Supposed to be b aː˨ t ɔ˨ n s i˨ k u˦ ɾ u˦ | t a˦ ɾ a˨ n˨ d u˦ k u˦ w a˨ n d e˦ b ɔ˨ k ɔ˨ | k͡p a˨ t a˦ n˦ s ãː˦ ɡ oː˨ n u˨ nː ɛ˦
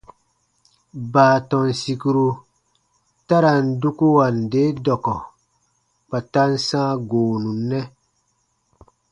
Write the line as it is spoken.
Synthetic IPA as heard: b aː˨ t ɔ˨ n s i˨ k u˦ ɾ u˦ | t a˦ ɾ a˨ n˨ d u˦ k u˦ w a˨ n d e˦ d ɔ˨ k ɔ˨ | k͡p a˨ t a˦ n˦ s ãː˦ ɡ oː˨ n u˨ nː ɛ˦